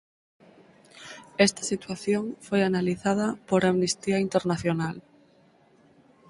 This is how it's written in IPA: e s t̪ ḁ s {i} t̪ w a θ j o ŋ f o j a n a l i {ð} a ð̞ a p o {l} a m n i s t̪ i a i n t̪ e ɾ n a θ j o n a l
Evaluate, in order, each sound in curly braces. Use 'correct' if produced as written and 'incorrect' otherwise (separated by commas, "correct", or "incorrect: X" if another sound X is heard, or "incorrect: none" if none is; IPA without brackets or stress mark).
correct, incorrect: θ, incorrect: ɾ